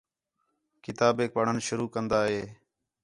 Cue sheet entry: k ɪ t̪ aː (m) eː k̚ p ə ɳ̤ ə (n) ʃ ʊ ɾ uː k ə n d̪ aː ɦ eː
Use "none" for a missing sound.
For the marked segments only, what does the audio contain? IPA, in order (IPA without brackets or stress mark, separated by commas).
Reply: b, n